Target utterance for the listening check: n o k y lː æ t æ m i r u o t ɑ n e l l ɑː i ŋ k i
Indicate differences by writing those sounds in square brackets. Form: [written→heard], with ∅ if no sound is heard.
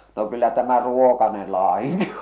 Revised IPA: n o k y lː æ t æ m [i→æ] r u o [t→k] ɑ n e l l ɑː i ŋ k i